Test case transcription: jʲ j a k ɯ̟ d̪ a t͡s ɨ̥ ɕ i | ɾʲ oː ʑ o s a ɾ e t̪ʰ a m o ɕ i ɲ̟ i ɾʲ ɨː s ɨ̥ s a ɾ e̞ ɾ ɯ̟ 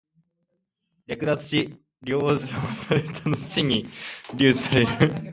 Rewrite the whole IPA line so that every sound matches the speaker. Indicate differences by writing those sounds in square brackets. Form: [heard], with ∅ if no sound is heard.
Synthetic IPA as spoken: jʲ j a k ɯ̟ d̪ a t͡s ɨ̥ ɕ i | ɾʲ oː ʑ o s a ɾ e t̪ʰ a [n] o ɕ i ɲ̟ i ɾʲ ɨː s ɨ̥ s a ɾ e̞ ɾ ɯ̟